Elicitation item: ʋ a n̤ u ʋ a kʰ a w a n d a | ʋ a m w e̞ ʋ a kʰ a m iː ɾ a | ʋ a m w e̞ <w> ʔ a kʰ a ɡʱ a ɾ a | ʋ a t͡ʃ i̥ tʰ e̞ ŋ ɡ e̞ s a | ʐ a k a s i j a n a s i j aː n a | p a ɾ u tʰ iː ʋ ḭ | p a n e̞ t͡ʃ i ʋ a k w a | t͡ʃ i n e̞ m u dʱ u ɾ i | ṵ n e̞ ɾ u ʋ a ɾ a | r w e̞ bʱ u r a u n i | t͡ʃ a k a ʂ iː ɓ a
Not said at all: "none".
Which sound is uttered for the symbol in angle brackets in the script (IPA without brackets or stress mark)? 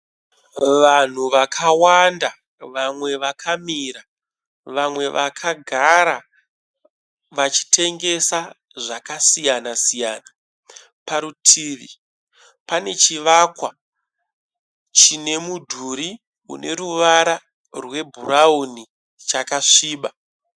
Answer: ʋ